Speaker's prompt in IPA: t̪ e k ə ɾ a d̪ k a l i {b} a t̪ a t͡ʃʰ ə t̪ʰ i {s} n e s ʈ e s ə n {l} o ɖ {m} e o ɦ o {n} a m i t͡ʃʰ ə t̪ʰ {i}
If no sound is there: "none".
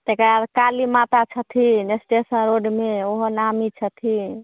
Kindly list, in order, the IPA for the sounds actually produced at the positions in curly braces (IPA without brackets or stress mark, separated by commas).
m, none, ɾ, m, n, i